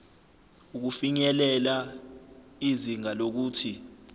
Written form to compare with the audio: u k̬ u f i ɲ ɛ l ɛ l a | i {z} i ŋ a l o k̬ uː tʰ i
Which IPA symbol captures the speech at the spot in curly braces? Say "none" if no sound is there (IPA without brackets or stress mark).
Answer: z